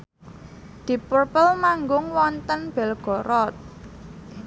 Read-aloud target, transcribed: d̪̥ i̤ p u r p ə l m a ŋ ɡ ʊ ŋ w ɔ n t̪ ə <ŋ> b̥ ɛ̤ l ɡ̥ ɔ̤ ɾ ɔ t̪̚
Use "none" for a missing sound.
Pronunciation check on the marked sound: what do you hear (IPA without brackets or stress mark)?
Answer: n